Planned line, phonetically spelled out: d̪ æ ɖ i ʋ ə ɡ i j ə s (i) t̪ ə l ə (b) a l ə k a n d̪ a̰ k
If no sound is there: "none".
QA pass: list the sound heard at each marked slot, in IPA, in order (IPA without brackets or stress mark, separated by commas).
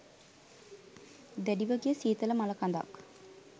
iː, m